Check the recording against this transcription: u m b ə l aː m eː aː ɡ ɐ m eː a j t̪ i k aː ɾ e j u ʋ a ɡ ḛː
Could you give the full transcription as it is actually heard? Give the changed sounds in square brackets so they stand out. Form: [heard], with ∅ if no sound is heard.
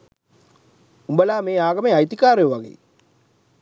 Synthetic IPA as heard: u m b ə l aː m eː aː ɡ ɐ m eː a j t̪ i k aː ɾ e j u ʋ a ɡ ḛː